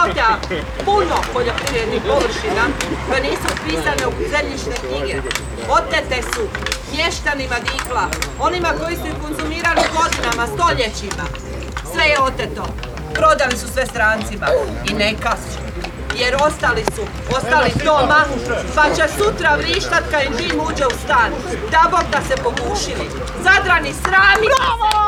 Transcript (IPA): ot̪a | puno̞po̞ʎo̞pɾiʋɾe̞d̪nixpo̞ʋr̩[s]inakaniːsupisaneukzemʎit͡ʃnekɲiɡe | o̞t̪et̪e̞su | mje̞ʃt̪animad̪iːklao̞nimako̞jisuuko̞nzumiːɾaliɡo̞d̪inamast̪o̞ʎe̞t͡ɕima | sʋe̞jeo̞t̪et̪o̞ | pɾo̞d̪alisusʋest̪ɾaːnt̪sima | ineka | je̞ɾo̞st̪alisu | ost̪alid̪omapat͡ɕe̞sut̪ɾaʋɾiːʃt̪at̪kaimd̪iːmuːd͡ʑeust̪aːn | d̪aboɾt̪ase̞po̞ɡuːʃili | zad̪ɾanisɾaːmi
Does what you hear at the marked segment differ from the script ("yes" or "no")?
yes